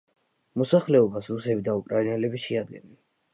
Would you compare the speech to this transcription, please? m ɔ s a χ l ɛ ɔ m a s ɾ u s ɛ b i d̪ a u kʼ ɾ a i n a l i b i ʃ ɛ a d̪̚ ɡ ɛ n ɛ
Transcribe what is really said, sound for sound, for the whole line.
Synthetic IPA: m ɔ s a χ l ɛ ɔ b a s ɾ u s ɛ b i d̪ a u kʼ ɾ a i n ɛ l ɛ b i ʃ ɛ a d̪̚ ɡ ɛ n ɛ

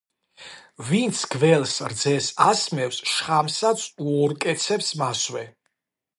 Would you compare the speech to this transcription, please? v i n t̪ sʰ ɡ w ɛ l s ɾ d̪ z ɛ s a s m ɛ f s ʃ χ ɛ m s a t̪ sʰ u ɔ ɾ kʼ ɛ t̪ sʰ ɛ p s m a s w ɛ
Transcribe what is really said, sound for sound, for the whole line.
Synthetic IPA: v i n t̪ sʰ ɡ v ɛ l s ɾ d̪ z ɛ s a s m ɛ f s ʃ χ a m s a t̪ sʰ u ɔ ɾ kʼ ɛ t̪ sʰ ɛ p s m a s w ɛ

